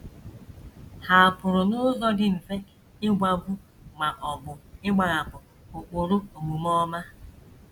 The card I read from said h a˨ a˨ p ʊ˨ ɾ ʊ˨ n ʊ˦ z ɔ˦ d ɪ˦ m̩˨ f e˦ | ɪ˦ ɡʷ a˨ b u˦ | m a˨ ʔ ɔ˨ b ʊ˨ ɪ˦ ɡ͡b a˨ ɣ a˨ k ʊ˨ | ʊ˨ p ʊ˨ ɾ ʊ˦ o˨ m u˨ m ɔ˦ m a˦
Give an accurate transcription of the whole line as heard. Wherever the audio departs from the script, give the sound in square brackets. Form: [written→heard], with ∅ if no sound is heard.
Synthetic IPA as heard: h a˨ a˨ p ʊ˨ ɾ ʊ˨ n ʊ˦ z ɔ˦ d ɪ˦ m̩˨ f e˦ | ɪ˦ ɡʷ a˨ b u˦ | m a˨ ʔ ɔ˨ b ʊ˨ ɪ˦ ɡ͡b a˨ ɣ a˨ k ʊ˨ | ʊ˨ [p→k͡p] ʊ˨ ɾ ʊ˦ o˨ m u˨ m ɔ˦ m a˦